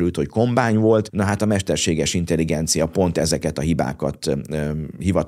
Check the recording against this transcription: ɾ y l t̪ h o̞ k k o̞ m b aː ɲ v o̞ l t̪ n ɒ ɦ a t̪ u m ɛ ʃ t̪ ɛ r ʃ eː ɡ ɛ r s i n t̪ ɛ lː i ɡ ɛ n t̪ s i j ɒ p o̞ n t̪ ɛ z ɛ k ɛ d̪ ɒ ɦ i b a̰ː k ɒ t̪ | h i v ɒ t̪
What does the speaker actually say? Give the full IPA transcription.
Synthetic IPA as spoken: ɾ y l t̪ h o̞ c k o̞ m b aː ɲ v o̞ l t̪ n ɒ ɦ a t̪ ɒ m ɛ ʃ t̪ ɛ r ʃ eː ɡ ɛ r ʃ i n t̪ ɛ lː i ɡ ɛ n t̪ s i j ɒ p o̞ n t̪ ɛ z ɛ k ɛ t̪ ɒ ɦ i b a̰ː k ɒ t̪ | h i v ɒ t̪